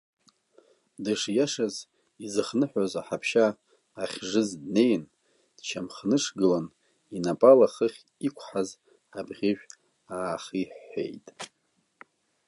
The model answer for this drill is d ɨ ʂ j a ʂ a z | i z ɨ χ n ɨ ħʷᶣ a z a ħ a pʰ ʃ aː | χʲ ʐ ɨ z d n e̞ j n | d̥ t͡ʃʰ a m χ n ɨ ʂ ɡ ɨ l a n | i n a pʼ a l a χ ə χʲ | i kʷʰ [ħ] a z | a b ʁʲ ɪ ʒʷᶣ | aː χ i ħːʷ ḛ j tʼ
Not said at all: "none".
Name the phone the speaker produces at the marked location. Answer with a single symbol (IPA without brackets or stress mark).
ħ